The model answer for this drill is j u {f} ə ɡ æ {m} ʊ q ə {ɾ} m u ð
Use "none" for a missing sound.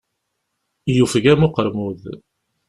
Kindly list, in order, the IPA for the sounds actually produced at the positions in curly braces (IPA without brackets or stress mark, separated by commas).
f, m, ɾ